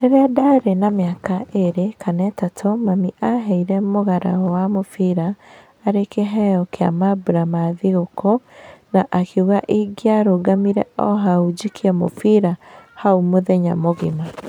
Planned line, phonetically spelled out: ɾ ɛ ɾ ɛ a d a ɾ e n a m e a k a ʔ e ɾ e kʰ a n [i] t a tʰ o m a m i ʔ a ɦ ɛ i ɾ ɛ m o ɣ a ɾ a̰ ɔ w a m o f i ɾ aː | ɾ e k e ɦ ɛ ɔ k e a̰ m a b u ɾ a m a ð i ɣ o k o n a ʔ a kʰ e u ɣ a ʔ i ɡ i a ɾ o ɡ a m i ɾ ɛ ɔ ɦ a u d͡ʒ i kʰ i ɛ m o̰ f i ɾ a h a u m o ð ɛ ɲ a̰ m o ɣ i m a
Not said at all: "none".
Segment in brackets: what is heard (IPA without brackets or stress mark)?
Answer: ɛ